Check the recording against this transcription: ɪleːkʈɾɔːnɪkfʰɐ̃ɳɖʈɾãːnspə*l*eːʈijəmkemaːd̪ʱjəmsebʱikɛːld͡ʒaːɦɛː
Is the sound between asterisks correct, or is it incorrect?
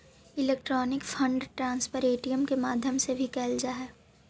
incorrect